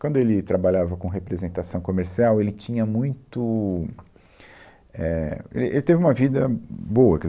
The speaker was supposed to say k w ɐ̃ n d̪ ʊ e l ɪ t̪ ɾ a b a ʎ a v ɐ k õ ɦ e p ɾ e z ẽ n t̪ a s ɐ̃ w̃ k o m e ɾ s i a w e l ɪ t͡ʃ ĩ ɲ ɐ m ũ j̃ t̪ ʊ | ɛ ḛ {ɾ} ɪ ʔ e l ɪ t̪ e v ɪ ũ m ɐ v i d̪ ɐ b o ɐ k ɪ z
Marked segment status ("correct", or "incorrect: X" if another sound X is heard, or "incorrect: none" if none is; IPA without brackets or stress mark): incorrect: l